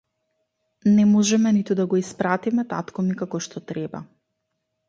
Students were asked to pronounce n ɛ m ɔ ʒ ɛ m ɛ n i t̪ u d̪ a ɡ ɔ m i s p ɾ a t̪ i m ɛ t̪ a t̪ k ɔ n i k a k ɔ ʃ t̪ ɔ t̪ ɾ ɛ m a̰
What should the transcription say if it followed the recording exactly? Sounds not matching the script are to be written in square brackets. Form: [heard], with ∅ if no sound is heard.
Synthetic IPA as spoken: n ɛ m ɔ ʒ ɛ m ɛ n i t̪ u d̪ a ɡ ɔ [∅] i s p ɾ a t̪ i m ɛ t̪ a t̪ k ɔ [m] i k a k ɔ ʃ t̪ ɔ t̪ ɾ ɛ [b] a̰